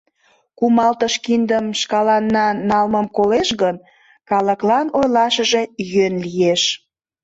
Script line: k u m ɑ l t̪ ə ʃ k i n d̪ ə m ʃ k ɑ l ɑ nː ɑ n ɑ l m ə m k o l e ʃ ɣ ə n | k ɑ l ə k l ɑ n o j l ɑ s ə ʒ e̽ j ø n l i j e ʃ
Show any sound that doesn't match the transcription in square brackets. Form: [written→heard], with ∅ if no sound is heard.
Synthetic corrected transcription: k u m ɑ l t̪ ə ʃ k i n d̪ ə m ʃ k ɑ l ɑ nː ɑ n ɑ l m ə m k o l e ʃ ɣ ə n | k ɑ l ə k l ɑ n o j l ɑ [s→ʃ] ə ʒ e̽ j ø n l i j e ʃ